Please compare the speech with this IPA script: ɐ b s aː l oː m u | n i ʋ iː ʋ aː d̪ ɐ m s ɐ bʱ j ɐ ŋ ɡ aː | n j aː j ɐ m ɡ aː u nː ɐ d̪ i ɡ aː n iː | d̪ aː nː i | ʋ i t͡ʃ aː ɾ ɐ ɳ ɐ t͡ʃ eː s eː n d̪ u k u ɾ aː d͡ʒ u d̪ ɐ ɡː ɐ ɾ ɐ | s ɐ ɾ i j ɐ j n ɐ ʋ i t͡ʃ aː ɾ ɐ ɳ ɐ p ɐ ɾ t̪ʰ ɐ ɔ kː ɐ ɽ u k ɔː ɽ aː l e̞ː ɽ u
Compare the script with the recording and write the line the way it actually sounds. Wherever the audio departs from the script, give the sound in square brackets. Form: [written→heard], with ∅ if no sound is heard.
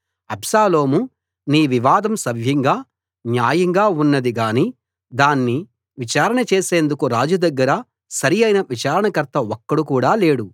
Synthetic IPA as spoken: ɐ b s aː l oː m u | n [i→iː] ʋ [iː→i] ʋ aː d̪ ɐ m s ɐ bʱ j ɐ ŋ ɡ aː | n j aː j ɐ [m→ŋ] ɡ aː u nː ɐ d̪ i ɡ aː n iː | d̪ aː nː i | ʋ i t͡ʃ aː ɾ ɐ ɳ ɐ t͡ʃ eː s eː n d̪ u k u ɾ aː d͡ʒ u d̪ ɐ ɡː ɐ ɾ ɐ | s ɐ ɾ i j ɐ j n ɐ ʋ i t͡ʃ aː ɾ ɐ ɳ ɐ [p→k] ɐ ɾ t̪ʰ ɐ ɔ kː ɐ ɽ u k [ɔː→uː] ɽ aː l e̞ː ɽ u